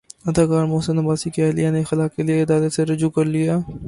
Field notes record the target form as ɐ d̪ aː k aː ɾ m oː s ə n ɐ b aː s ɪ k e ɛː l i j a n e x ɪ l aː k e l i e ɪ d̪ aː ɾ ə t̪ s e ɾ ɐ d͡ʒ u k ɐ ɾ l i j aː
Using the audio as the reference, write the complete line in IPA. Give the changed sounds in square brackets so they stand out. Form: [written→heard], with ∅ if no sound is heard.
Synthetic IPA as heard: ɐ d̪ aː k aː ɾ m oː s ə n ɐ b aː s [ɪ→i] k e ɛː l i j a n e x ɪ l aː k e l i e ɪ d̪ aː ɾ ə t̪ s e ɾ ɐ d͡ʒ u k ɐ ɾ l i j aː